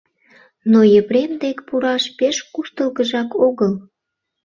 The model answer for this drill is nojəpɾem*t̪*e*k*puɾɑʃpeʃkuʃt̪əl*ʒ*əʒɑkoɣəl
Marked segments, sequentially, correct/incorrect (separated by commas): incorrect, correct, incorrect